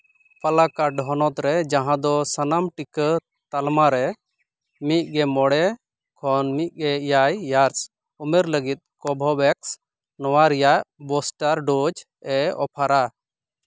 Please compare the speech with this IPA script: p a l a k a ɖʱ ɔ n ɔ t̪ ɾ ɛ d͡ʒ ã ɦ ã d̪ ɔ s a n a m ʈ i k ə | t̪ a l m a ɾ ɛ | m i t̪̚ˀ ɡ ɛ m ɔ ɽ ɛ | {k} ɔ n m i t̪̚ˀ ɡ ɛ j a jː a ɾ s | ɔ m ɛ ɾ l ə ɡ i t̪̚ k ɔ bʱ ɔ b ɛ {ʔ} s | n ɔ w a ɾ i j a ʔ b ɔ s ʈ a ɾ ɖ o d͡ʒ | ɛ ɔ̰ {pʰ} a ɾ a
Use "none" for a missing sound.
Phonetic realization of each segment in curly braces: kʰ, k, pʰ

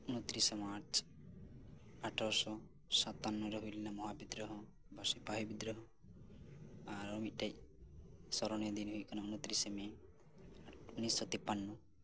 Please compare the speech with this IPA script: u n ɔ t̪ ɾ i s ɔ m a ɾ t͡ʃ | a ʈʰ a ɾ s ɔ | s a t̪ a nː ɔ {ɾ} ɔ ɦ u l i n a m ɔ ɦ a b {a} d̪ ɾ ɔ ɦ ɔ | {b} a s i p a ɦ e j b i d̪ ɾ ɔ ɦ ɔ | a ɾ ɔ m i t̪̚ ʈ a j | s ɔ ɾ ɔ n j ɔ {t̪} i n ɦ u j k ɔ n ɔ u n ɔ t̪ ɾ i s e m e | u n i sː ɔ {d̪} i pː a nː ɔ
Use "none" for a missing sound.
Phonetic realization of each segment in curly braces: ɾ, i, b, d̪, t̪

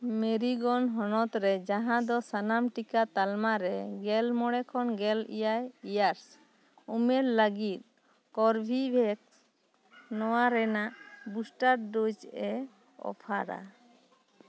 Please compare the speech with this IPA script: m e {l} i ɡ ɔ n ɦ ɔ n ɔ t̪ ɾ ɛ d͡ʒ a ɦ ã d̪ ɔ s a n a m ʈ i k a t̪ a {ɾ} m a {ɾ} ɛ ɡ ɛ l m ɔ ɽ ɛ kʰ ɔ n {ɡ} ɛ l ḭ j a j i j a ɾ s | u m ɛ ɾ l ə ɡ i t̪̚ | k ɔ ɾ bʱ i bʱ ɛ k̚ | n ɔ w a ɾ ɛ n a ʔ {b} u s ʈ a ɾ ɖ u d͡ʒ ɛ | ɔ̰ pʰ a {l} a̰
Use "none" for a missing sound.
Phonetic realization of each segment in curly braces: ɾ, l, ɾ, ɡ, b, ɾ

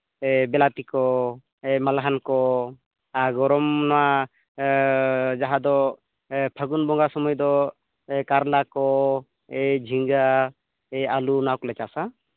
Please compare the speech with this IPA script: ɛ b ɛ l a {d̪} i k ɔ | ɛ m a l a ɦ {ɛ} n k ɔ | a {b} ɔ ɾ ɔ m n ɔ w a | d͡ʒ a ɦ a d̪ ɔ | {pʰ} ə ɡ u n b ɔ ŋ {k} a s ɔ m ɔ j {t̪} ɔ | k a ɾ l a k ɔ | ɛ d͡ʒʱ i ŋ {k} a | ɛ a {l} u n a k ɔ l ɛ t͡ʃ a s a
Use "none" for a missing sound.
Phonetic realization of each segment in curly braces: t̪, a, ɡ, pʰ, ɡ, d̪, ɡ, l

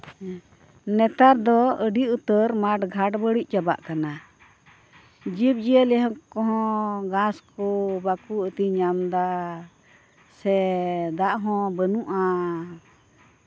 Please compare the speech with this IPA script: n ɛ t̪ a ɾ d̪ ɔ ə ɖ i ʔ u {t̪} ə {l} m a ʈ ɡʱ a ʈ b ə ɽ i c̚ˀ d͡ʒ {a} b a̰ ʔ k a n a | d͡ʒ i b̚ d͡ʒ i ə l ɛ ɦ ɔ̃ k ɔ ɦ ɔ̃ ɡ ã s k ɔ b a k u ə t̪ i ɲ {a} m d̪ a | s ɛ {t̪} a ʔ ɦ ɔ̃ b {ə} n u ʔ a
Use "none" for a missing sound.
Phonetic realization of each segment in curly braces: t̪, ɾ, a, a, d̪, ə

